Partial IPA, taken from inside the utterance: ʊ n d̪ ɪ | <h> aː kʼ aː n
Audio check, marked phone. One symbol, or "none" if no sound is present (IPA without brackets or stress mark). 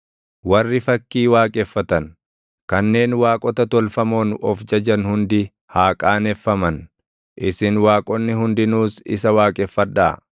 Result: h